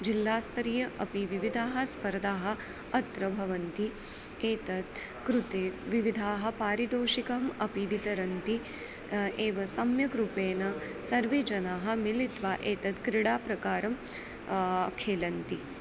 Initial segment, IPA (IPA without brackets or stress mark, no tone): d͡ʒ